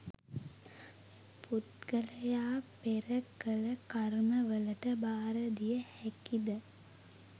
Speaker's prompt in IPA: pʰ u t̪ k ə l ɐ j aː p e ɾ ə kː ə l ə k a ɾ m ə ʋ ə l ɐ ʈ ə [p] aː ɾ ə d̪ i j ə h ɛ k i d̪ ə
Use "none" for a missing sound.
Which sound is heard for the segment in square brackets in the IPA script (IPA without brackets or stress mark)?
b